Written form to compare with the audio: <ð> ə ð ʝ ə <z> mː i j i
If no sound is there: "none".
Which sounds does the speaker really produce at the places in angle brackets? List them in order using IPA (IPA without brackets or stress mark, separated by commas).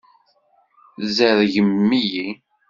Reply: z, none